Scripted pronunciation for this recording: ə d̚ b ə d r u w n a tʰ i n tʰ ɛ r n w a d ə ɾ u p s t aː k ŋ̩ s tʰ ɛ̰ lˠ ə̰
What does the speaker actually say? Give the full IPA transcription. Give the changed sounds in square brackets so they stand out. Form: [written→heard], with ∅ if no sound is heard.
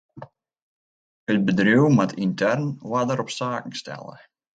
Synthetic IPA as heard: ə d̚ b ə d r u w [n→m] a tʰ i n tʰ ɛ r n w a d ə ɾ [u→ɔ] p s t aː k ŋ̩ s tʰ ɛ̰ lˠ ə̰